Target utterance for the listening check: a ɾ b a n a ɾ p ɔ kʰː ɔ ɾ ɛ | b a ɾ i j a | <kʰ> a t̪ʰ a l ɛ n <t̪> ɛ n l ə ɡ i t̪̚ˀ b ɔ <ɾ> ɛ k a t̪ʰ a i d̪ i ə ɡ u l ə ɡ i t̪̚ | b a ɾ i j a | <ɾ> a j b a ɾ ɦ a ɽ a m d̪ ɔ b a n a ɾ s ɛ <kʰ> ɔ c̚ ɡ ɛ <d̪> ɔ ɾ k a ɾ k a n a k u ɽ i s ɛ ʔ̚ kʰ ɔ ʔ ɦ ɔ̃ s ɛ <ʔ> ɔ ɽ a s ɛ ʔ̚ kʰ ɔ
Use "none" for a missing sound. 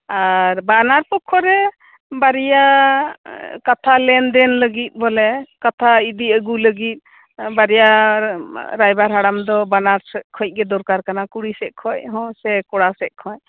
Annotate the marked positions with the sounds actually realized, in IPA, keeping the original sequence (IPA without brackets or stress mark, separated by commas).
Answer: k, d̪, l, ɾ, kʰ, d̪, k